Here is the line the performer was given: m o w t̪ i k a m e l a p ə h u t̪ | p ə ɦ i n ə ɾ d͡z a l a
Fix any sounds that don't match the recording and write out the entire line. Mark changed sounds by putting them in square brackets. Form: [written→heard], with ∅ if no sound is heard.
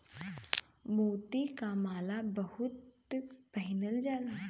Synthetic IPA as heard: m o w t̪ i k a m [e→a] l a [p→b] ə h u t̪ | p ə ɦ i n ə [ɾ→l] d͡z a l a